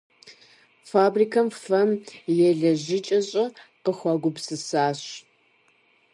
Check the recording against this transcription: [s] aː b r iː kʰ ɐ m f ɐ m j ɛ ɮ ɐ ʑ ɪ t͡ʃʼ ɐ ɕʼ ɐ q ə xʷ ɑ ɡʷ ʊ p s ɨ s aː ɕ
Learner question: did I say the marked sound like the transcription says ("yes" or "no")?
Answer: no